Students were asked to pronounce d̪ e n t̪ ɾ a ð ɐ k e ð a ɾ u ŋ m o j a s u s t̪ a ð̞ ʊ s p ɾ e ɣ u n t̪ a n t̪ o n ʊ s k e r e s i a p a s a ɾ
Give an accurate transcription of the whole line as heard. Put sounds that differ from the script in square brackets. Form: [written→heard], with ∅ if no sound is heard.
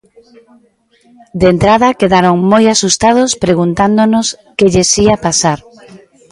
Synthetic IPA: d̪ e n t̪ ɾ a ð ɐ k e ð a ɾ [u→o] ŋ m o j a s u s t̪ a ð̞ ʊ s p ɾ e ɣ u n t̪ a n [t̪→d̪] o n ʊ s k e [r→ʎ] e s i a p a s a ɾ